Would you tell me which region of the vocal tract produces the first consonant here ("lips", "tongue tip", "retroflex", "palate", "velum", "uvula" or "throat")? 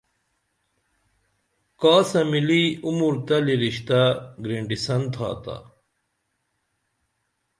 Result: velum